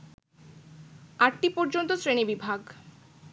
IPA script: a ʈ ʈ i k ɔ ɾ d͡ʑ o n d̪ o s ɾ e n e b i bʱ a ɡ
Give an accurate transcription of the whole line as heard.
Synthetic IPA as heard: a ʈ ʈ i p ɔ ɾ d͡ʑ o n t̪ o s ɾ e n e b i bʱ a ɡ